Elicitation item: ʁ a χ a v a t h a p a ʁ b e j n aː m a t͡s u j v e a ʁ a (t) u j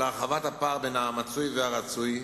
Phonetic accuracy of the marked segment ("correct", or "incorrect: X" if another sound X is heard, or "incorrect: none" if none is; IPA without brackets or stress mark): incorrect: t͡s